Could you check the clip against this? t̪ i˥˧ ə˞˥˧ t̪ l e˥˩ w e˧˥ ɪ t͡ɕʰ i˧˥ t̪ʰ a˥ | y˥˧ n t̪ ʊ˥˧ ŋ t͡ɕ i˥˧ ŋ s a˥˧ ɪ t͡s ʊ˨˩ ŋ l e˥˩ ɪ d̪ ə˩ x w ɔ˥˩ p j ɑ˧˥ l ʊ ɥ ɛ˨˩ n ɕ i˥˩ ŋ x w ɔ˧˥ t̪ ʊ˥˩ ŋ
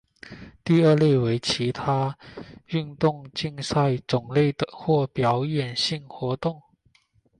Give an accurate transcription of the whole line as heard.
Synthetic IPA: t̪ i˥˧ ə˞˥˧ l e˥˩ w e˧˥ ɪ t͡ɕʰ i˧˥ t̪ʰ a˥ | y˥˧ n t̪ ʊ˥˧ ŋ t͡ɕ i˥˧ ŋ s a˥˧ ɪ t͡s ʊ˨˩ ŋ l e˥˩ ɪ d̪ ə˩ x w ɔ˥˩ p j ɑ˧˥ ʊ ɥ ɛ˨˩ n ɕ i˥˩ ŋ x w ɔ˧˥ t̪ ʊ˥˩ ŋ